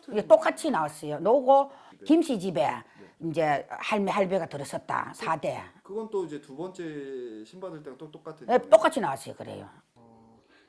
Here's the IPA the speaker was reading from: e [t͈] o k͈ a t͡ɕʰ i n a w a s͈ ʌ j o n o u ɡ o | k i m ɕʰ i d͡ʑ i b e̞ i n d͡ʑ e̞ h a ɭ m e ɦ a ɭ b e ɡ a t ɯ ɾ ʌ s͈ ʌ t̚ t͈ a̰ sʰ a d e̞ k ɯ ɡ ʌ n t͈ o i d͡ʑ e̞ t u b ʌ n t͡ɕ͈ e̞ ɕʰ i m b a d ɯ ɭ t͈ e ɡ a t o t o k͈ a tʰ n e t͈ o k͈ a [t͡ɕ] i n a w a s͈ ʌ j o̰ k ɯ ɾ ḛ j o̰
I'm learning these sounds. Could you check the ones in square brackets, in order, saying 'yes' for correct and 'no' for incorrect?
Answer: yes, no

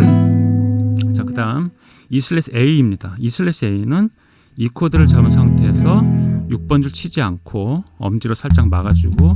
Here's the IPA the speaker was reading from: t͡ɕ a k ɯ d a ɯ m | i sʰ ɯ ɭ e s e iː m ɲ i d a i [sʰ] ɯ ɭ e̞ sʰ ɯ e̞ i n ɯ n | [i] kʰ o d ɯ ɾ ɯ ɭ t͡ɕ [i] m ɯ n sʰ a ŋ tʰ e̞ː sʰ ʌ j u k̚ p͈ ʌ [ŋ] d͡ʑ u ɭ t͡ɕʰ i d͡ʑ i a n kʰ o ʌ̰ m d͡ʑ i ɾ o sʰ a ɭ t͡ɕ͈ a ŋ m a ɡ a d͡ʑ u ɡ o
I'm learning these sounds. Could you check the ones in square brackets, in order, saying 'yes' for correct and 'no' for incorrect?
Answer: yes, yes, no, no

